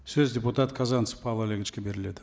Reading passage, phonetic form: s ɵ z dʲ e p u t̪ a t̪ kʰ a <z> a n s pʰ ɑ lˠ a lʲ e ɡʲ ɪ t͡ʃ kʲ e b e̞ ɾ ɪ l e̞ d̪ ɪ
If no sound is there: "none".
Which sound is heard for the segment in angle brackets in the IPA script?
z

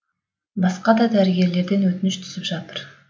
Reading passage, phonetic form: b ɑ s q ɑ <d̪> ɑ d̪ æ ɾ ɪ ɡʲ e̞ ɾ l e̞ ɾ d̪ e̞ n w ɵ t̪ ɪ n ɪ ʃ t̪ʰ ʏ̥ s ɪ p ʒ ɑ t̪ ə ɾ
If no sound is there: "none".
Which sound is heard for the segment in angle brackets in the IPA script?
d̪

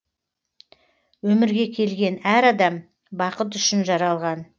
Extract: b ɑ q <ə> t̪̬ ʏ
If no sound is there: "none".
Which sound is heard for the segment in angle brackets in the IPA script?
ə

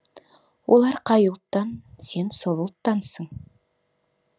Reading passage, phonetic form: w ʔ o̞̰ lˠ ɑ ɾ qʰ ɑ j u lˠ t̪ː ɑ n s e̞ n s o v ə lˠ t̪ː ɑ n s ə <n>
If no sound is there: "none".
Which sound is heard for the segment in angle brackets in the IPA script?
ɴ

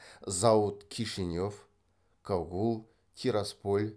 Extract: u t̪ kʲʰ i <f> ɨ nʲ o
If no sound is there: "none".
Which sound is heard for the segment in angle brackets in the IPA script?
ʂ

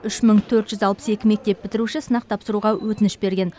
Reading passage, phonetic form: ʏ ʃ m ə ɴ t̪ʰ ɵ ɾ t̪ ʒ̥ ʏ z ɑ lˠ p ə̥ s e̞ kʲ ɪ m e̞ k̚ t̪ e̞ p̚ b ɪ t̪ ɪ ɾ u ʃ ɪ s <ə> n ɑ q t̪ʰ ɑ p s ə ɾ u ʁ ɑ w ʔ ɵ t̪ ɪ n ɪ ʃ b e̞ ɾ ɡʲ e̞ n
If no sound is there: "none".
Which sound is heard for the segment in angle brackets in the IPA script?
ə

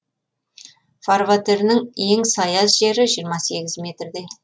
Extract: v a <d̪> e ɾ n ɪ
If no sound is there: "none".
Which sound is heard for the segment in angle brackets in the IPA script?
t̪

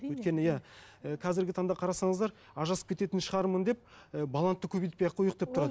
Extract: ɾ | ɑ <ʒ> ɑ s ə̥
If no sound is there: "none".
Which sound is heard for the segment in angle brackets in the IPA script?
ʒ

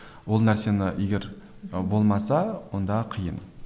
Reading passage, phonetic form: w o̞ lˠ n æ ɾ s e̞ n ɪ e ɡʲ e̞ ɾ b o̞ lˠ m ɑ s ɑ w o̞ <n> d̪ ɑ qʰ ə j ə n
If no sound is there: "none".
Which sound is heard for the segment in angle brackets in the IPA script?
n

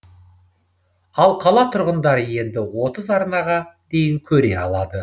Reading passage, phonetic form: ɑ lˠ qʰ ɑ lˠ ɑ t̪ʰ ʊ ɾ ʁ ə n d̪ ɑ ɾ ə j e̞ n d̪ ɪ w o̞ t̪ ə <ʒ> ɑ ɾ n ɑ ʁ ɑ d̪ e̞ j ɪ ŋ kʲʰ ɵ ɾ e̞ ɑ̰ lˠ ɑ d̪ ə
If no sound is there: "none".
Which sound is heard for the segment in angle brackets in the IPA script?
z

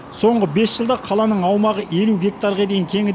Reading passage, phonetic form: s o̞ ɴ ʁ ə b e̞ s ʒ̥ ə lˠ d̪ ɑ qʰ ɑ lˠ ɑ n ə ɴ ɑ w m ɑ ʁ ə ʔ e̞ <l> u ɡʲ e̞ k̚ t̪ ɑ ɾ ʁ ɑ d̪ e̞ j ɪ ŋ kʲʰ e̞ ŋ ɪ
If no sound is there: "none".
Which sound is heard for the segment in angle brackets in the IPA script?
l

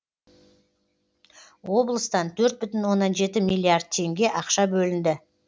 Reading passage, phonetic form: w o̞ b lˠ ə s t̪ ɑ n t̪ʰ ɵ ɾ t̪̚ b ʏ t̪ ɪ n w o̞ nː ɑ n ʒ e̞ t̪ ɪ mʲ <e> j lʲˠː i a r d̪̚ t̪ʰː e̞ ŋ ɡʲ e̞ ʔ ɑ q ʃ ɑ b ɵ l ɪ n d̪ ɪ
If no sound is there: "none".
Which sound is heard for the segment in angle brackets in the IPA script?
i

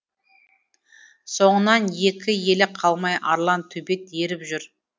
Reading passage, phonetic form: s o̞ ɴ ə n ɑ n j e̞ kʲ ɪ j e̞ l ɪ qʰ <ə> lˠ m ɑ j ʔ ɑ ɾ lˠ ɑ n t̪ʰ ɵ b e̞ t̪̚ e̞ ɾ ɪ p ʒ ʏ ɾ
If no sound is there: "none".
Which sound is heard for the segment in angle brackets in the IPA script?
ɑ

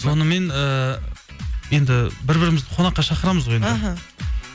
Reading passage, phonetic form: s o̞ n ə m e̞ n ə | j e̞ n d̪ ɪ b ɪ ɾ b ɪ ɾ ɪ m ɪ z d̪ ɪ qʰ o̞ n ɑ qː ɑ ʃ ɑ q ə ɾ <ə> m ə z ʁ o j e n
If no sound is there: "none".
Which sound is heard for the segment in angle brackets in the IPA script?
ɑ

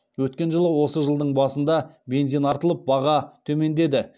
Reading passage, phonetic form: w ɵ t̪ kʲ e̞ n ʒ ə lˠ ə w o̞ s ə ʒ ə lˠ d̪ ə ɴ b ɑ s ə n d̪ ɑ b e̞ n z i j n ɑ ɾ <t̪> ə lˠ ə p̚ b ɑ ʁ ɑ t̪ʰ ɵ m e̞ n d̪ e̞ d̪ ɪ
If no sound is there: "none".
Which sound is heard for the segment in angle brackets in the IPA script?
t̪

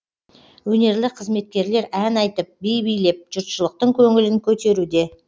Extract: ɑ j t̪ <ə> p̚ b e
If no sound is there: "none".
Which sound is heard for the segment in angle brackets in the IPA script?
ə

